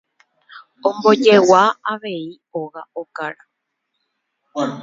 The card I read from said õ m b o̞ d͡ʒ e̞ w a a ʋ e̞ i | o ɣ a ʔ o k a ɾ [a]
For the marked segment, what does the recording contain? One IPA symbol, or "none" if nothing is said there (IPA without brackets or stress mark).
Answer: a